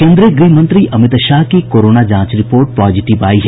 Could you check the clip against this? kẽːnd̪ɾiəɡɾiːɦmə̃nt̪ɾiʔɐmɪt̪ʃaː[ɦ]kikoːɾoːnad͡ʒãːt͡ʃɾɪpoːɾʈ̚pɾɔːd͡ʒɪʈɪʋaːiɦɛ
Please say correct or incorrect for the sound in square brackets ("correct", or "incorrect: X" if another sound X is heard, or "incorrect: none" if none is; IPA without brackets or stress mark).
correct